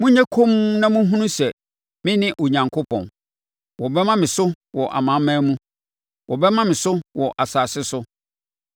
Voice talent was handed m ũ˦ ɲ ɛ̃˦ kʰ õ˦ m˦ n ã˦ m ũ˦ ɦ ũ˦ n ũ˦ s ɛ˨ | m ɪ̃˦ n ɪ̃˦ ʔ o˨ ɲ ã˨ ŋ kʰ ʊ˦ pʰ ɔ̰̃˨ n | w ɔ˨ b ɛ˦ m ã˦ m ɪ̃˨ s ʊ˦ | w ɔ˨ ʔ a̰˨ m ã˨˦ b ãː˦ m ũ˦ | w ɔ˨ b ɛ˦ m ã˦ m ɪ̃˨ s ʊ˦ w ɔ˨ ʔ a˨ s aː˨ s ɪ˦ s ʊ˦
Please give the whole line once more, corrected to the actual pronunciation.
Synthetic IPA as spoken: m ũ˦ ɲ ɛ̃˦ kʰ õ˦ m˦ n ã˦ m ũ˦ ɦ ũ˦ n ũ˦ s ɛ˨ | m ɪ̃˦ n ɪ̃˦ ʔ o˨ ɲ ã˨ ŋ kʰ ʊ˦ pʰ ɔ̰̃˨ n | w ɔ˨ b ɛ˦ m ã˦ m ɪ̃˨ s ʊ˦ | w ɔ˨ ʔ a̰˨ m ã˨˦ m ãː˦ m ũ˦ | w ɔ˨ b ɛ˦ m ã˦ m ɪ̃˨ s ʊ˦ w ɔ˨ ʔ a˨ s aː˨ s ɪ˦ s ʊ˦